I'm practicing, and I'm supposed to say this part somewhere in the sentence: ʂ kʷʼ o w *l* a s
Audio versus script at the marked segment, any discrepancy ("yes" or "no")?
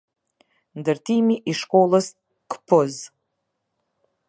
no